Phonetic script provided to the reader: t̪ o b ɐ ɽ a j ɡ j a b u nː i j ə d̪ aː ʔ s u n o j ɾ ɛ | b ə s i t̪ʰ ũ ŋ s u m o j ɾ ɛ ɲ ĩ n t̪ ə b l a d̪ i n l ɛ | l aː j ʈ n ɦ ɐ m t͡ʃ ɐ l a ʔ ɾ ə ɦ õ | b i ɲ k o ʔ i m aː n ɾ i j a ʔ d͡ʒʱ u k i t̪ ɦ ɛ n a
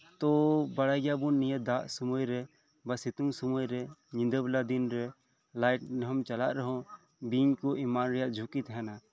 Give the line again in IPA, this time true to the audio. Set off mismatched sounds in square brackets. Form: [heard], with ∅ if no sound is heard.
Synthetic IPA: t̪ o b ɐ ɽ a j ɡ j a b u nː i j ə d̪ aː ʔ s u [m] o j ɾ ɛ | b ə s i [t̪] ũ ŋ s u m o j ɾ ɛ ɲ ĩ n [d̪] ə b l a d̪ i n [ɾ] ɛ | l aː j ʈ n ɦ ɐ m t͡ʃ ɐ l a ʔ ɾ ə ɦ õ | b i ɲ k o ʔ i m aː n ɾ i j a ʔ d͡ʒʱ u k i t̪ ɦ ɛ n a